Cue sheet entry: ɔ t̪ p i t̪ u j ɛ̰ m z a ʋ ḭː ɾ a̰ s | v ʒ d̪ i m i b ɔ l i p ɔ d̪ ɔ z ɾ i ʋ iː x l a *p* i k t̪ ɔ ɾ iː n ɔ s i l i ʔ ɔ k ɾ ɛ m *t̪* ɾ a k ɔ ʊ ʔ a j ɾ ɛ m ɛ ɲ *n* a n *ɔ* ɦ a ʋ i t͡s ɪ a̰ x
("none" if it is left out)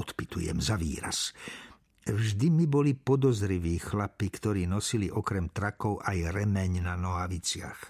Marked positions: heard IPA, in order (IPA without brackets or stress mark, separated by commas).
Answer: p, t̪, n, ɔ